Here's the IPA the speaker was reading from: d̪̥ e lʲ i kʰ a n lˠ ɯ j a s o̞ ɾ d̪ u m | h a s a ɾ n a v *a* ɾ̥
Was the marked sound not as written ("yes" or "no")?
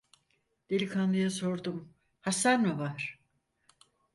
no